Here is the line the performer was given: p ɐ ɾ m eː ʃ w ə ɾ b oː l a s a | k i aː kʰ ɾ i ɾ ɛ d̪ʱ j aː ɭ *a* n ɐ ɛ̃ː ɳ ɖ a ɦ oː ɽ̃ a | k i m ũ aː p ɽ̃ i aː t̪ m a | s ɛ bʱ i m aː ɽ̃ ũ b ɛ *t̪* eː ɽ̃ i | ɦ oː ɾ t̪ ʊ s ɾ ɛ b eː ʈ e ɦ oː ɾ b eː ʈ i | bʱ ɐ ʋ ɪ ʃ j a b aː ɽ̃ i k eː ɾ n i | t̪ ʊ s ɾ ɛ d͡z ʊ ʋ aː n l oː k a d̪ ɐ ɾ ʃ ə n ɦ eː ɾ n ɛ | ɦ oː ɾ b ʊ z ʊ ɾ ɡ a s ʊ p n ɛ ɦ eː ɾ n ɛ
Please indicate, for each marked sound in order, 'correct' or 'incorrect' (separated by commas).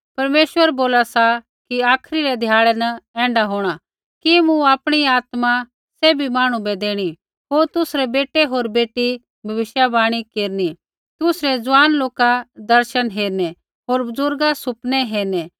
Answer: incorrect, incorrect